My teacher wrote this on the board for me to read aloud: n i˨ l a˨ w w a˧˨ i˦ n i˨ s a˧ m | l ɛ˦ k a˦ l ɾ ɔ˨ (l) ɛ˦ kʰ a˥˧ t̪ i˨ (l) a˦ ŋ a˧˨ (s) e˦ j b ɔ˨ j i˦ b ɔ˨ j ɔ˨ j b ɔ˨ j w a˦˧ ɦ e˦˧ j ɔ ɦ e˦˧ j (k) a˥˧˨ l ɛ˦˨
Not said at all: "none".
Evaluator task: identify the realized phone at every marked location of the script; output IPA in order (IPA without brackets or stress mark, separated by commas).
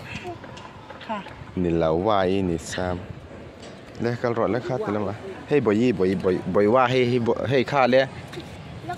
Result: l, l, h, kʰ